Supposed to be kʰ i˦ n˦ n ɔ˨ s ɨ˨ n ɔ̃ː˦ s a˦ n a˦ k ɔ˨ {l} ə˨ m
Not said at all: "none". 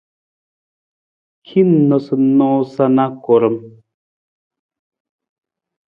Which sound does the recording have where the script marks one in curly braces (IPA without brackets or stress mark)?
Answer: ɾ